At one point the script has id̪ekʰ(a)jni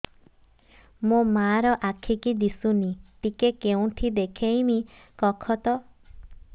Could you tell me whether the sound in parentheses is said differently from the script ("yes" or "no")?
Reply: yes